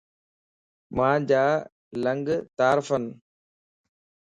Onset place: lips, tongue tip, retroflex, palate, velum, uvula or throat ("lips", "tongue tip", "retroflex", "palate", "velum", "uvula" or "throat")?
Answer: lips